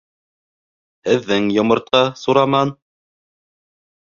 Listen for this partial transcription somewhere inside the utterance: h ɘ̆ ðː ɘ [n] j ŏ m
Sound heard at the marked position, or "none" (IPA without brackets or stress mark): ŋ